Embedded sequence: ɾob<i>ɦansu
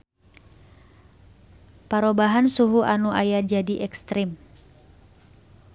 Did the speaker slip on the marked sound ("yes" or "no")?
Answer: yes